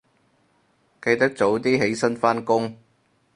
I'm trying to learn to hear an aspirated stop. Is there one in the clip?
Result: no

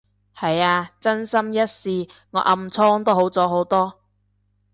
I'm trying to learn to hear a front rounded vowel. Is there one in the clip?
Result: no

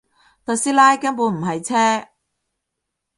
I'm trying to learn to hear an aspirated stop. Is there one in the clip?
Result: yes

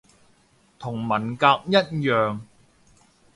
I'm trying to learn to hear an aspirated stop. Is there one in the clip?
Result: yes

